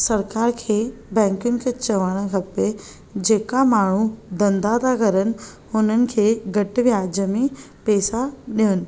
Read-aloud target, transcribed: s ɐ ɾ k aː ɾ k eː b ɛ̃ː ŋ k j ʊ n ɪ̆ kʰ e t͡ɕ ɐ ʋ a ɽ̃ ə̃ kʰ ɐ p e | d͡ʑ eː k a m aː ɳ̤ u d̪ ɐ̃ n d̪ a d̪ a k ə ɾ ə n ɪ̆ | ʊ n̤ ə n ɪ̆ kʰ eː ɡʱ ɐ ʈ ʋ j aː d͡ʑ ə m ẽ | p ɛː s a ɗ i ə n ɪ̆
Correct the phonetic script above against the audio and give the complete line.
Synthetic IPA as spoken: s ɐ ɾ k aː ɾ kʰ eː b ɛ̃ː ŋ k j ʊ n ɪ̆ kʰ e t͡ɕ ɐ ʋ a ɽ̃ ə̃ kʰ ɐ p e | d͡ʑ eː k a m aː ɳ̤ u d̪ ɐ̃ n d̪ a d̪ a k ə ɾ ə n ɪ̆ | ʊ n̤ ə n ɪ̆ kʰ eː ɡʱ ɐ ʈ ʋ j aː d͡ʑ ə m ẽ | p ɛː s a ɗ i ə n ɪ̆